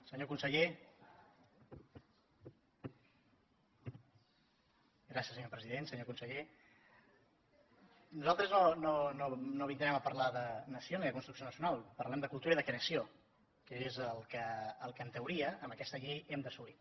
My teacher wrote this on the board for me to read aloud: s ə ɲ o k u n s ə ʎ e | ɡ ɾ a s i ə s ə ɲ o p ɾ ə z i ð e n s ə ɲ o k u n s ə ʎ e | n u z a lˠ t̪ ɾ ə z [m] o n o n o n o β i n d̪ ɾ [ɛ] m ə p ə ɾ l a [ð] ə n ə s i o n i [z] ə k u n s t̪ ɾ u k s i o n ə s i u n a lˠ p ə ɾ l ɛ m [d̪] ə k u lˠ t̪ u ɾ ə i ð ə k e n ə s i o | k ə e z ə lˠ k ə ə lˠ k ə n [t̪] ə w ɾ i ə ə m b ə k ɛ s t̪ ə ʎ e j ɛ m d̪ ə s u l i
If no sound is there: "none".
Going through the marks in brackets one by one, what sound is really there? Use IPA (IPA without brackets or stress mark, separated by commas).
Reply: n, ɛ, ð, ð, d̪, t̪